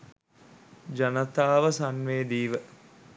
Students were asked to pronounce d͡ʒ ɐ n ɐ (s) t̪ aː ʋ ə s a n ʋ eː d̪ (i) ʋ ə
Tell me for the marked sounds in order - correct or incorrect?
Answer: incorrect, incorrect

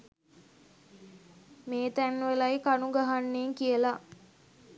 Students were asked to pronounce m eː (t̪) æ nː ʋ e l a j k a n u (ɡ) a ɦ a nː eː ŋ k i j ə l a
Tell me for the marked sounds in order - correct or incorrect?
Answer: correct, correct

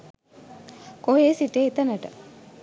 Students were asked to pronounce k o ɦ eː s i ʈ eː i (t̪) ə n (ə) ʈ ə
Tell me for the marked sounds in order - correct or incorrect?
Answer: correct, correct

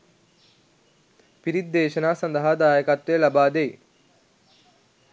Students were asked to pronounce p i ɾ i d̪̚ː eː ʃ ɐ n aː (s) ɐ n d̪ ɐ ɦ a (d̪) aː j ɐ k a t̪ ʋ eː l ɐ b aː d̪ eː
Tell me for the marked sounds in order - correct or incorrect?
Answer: correct, correct

